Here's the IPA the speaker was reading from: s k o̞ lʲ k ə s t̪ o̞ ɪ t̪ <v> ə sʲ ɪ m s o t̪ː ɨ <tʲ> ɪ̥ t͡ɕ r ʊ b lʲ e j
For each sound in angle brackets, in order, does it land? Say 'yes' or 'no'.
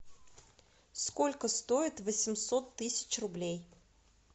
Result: yes, no

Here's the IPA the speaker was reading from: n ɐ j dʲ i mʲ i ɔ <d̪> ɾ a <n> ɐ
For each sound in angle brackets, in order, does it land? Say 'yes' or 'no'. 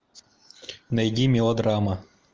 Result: yes, no

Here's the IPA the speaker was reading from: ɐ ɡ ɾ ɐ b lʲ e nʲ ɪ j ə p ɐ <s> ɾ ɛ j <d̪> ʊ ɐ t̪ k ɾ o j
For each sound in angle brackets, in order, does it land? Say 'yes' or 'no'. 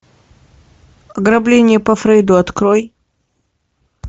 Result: no, yes

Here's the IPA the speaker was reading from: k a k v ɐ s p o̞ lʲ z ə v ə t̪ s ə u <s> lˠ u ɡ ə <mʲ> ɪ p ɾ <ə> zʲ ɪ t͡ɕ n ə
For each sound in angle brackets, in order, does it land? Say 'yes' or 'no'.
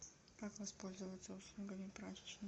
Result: yes, yes, no

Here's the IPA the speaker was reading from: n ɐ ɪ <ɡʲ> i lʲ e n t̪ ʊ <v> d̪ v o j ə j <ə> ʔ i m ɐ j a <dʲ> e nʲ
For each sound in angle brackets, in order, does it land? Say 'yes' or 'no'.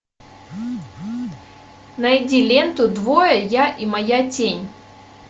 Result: no, no, no, no

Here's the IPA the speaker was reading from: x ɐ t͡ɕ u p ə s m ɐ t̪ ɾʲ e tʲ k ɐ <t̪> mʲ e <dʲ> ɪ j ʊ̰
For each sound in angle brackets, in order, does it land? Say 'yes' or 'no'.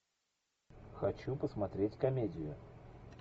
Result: no, yes

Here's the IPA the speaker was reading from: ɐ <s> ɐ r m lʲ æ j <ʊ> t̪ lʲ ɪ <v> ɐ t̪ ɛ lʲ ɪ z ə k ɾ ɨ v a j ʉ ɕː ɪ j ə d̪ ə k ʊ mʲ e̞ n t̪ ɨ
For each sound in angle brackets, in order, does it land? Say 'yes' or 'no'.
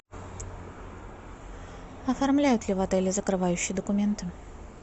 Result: no, yes, yes

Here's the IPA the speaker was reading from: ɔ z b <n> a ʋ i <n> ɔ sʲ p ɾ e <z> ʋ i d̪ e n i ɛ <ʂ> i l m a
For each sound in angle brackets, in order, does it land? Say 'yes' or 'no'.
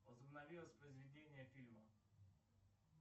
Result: yes, no, yes, no

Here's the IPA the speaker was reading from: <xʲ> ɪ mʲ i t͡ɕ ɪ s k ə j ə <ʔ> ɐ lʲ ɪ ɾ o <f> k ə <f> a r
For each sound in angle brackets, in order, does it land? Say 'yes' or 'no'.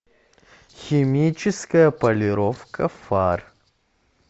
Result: yes, no, yes, yes

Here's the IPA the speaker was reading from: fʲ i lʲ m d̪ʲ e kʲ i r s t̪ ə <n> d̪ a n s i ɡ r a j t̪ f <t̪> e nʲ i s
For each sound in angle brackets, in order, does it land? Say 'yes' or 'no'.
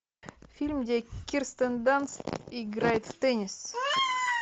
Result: yes, yes

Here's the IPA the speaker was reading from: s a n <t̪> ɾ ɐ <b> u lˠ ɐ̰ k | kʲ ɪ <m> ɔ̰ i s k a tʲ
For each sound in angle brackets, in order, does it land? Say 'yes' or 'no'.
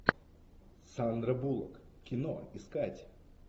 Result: no, yes, no

